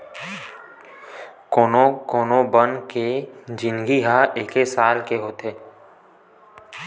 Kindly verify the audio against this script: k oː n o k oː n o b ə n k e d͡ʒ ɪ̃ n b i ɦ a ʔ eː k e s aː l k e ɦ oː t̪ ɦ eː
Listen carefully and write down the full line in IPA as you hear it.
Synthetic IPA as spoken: k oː n o k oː n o b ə n k e d͡ʒ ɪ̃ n ɡ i ɦ a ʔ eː k e s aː l k e ɦ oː t̪ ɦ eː